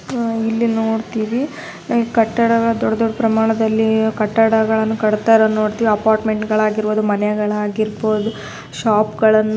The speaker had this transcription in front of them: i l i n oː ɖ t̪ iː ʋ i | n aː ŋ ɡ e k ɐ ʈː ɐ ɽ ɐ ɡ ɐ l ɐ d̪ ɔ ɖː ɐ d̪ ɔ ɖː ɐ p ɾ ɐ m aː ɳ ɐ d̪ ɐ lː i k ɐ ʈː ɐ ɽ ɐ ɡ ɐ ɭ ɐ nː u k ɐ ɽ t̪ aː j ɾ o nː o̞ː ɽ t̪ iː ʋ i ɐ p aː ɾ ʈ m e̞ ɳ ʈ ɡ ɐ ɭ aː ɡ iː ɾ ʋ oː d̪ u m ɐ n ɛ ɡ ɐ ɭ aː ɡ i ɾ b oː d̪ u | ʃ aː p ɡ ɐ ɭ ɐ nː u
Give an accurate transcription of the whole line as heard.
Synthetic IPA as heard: i lː i n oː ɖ t̪ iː ʋ i | n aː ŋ ɡ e k ɐ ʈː ɐ ɽ ɐ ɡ ɐ ɭ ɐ d̪ ɔ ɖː ɐ d̪ ɔ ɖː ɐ p ɾ ɐ m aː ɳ ɐ d̪ ɐ lː i k ɐ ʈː ɐ ɽ ɐ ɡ ɐ ɭ ɐ nː u k ɐ ɽ t̪ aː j ɾ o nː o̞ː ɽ t̪ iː ʋ i ɐ p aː ɾ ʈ m e̞ ɳ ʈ ɡ ɐ ɭ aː ɡ i ɾ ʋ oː d̪ u m ɐ n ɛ ɡ ɐ ɭ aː ɡ i ɾ b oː d̪ u | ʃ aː p ɡ ɐ ɭ ɐ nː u